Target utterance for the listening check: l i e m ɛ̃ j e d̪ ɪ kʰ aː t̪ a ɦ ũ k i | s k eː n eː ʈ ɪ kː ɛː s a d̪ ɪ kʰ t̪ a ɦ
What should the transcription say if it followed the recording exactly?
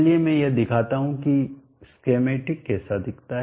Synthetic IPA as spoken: l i e m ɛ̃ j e d̪ ɪ kʰ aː t̪ a ɦ ũ k i | s k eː m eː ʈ ɪ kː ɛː s a d̪ ɪ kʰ t̪ a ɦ